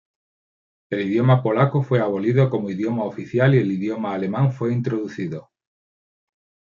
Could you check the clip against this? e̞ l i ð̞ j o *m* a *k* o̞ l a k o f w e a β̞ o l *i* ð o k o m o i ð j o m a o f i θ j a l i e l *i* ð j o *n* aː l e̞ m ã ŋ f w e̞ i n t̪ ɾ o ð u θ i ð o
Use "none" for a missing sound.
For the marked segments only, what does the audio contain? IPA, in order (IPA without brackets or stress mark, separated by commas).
m, p, i, i, m